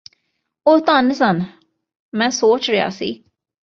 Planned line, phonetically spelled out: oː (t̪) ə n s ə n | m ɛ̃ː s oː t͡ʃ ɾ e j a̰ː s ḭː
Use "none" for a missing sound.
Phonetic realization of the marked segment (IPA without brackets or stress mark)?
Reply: t̪